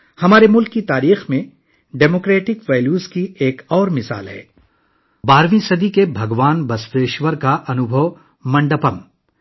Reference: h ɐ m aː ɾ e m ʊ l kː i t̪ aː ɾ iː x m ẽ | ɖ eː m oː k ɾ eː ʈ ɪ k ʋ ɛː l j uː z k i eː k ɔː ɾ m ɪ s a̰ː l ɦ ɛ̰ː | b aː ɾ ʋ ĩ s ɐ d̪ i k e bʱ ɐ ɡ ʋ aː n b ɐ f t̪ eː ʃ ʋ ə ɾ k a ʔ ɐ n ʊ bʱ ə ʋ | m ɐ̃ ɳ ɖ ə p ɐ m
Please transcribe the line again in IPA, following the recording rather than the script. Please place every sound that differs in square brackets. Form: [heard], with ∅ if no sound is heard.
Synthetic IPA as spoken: h ɐ m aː ɾ e m ʊ l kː i t̪ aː ɾ iː x m ẽ | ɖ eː m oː k ɾ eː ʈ ɪ k ʋ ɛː l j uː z k i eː k ɔː ɾ m ɪ s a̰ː l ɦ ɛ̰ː | b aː ɾ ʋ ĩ s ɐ d̪ i k e bʱ ɐ ɡ ʋ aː n b ɐ [s] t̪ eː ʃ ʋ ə ɾ k a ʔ ɐ n ʊ bʱ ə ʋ | m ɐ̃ ɳ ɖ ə p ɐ m